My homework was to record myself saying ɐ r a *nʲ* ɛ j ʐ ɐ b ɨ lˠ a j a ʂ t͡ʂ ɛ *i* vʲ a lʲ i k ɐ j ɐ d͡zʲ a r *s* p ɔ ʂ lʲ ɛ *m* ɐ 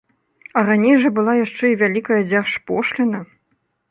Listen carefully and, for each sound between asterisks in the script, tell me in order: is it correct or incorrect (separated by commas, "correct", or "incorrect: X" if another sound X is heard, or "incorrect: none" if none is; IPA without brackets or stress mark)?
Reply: correct, correct, incorrect: ʂ, incorrect: n